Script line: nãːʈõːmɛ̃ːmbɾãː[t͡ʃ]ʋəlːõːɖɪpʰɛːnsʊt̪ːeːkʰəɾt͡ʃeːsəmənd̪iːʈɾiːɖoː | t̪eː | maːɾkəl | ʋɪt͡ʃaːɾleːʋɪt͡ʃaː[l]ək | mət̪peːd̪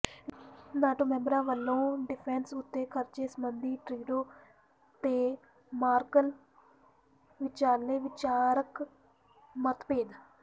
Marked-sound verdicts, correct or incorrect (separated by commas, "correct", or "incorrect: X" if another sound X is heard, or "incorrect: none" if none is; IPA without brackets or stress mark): incorrect: none, incorrect: ɾ